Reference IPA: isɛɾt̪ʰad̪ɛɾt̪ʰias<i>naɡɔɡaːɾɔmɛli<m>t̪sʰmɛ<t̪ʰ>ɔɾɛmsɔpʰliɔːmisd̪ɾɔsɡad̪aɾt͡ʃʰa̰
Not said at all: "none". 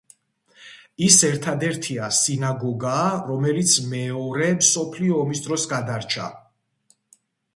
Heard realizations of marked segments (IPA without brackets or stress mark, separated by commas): i, none, none